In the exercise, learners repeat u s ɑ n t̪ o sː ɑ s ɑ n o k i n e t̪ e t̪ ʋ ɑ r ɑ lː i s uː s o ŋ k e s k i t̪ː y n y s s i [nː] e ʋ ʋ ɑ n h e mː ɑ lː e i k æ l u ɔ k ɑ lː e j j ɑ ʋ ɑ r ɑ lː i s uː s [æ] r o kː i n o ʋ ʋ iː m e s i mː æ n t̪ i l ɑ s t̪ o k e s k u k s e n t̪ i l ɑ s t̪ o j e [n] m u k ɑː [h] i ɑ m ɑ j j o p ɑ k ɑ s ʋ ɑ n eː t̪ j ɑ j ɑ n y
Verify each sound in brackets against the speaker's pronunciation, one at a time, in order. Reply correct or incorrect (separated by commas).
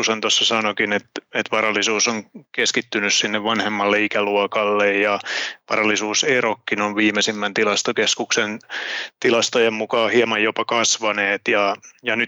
correct, incorrect, incorrect, correct